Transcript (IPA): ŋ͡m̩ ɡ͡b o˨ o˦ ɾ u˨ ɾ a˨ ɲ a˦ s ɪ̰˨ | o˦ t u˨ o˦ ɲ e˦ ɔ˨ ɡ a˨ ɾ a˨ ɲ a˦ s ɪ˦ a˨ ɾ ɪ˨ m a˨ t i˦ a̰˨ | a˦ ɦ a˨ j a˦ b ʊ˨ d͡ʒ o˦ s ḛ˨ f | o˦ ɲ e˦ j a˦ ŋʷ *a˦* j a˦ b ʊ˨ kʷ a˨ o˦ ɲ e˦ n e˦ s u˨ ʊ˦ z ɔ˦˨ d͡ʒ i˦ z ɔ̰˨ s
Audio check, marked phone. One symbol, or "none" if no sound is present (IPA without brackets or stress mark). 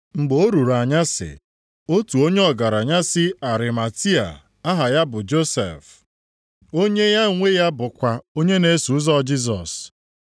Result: e˦